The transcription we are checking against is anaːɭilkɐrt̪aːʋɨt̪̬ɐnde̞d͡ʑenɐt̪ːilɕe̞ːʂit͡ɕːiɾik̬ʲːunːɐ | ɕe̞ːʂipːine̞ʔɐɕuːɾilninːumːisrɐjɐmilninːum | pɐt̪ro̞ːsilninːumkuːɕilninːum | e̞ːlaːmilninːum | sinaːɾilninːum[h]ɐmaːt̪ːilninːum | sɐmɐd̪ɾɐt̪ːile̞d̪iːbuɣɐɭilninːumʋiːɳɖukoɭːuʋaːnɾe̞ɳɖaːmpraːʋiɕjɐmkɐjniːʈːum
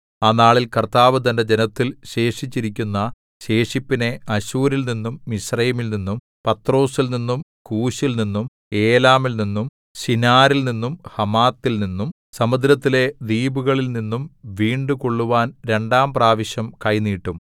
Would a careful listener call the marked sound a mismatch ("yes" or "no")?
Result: no